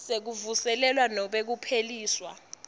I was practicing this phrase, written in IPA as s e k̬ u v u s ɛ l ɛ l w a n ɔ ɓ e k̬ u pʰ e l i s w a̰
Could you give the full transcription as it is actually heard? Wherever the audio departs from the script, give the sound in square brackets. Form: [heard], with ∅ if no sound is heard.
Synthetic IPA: s e k̬ u v u s ɛ l ɛ l w a n ɔ ɓ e k̬ u pʰ e l [iː] s w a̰

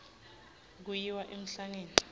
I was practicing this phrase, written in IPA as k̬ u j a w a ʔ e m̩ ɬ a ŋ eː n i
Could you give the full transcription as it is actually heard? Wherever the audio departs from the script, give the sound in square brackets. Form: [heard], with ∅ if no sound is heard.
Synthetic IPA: k̬ u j [i] w a ʔ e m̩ ɬ a ŋ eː n i

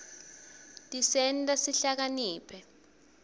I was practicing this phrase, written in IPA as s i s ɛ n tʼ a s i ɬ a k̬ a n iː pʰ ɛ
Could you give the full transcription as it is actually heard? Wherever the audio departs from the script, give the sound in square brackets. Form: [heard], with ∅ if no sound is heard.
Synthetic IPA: [t] i s ɛ n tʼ a s i ɬ a k̬ a n iː pʰ ɛ

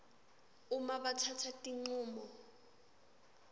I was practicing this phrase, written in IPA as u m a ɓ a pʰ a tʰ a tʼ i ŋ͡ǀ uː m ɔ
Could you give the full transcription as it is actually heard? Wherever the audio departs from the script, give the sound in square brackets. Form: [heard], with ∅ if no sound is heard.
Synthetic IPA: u m a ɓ a [tʰ] a tʰ a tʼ i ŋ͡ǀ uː m ɔ

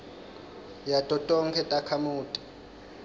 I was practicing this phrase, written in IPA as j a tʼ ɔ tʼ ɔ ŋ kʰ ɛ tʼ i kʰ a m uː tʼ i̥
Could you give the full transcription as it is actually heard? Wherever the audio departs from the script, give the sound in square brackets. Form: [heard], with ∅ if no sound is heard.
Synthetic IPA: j a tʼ ɔ tʼ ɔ ŋ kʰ ɛ tʼ [a] kʰ a m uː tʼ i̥

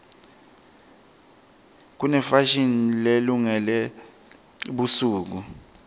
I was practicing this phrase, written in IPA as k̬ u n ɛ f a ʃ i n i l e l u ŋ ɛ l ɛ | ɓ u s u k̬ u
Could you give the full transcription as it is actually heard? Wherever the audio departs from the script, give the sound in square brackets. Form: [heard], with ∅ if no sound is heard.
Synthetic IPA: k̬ u n ɛ f a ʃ i n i l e l u ŋ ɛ l ɛ | ɓ u s [uː] k̬ u

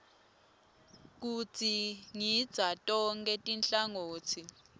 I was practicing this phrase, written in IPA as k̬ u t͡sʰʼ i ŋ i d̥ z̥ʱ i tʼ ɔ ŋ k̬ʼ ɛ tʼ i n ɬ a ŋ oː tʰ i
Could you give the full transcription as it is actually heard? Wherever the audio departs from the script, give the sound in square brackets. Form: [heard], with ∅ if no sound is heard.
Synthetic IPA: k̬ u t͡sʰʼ i ŋ i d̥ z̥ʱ [a] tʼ ɔ ŋ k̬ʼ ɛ tʼ i n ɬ a ŋ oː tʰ i

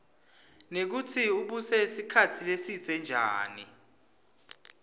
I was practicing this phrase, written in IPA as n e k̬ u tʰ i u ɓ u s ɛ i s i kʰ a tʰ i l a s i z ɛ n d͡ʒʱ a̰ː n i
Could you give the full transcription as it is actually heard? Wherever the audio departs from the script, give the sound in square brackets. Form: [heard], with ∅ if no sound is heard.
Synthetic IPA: n e k̬ u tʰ i u ɓ u s ɛ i s i kʰ a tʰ i l [e] s i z ɛ n d͡ʒʱ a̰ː n i

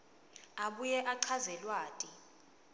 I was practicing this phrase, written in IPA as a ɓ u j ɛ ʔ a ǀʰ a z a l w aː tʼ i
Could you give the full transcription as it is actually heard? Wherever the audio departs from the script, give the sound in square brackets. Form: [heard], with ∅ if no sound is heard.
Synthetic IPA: a ɓ u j ɛ ʔ a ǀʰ a z [ɛ] l w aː tʼ i

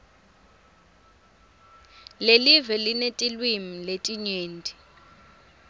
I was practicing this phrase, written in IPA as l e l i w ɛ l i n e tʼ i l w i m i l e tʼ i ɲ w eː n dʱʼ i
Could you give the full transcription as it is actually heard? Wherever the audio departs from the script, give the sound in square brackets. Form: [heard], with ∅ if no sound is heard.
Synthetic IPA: l e l i [v] ɛ l i n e tʼ i l w i m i l e tʼ i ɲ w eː n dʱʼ i

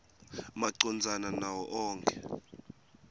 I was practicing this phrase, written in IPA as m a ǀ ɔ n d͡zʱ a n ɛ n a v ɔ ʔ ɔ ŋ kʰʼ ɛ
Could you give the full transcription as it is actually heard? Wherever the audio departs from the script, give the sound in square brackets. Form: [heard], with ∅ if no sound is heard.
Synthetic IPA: m a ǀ ɔ n d͡zʱ a n [a] n a [w] ɔ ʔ [ɔː] ŋ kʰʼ ɛ

